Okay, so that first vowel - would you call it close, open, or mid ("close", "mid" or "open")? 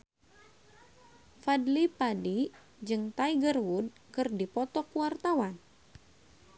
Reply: open